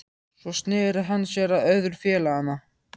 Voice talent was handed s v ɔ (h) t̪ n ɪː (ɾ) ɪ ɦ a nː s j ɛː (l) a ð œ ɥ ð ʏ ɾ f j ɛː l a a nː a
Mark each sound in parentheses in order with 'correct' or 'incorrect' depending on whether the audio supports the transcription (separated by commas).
incorrect, correct, incorrect